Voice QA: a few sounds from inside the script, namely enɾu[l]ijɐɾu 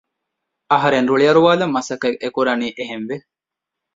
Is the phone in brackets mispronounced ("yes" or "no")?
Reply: yes